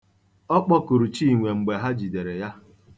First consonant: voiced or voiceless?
voiceless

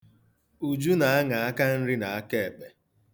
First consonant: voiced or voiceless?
voiced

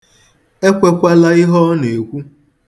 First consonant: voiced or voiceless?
voiceless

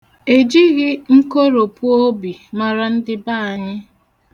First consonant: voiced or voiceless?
voiced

